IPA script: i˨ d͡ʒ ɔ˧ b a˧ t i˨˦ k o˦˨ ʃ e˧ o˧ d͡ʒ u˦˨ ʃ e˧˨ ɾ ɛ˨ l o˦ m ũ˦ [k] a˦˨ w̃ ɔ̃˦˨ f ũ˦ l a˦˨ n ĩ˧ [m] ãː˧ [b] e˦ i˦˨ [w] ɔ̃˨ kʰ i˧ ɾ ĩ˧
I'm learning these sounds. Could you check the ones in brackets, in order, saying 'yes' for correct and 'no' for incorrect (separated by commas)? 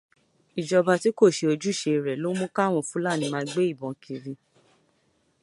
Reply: yes, yes, no, no